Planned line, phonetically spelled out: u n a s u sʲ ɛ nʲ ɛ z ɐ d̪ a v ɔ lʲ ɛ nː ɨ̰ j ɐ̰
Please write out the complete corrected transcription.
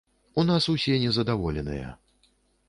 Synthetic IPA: u n a s u sʲ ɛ nʲ ɛ z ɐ d̪ a v ɔ lʲ ɛ n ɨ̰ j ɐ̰